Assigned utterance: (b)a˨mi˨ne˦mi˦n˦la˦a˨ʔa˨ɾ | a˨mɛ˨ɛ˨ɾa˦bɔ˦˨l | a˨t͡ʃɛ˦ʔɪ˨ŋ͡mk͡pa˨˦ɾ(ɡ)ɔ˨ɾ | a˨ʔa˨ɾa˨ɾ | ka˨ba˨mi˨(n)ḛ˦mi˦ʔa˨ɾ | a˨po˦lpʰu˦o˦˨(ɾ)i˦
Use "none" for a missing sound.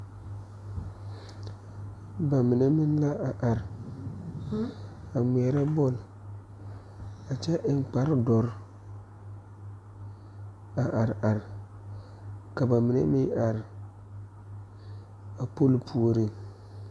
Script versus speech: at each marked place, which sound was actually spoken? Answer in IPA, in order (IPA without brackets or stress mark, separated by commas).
b, d, n, ɾ